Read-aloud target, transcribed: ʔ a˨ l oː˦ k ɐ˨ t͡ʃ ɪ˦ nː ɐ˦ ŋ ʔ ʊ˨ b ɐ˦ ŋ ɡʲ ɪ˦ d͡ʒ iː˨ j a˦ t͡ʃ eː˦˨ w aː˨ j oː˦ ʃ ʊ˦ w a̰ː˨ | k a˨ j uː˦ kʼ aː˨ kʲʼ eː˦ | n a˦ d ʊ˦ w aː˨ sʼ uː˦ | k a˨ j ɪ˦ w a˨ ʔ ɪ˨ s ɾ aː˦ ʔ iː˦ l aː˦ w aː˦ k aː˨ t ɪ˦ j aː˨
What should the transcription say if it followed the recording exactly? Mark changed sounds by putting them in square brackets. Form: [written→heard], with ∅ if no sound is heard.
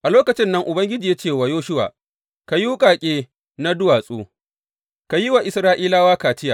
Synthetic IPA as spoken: ʔ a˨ l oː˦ k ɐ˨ t͡ʃ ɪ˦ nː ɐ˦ ŋ ʔ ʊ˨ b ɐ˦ ŋ ɡʲ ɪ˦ d͡ʒ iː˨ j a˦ t͡ʃ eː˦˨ w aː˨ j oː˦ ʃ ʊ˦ w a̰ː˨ | k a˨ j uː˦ kʼ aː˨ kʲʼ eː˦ | n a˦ d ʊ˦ w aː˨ sʼ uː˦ | k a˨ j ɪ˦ w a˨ ʔ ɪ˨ s ɾ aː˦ ʔ iː˦ l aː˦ w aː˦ k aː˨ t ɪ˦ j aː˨